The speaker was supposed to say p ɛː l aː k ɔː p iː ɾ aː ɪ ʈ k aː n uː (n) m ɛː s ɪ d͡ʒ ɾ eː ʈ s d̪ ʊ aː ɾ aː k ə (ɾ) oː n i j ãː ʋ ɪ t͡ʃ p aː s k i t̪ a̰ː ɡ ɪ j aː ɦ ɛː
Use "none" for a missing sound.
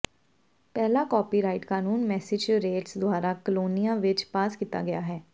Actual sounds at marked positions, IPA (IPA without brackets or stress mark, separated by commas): n, l